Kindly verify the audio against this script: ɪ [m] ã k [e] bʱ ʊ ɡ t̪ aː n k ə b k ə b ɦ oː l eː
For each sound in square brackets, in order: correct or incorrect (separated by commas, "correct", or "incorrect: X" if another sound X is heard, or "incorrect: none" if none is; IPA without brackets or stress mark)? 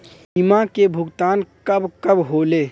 correct, correct